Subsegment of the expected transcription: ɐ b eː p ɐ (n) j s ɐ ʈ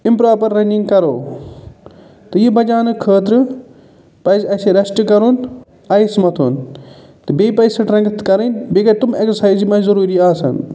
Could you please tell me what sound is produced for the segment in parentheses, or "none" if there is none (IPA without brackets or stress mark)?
none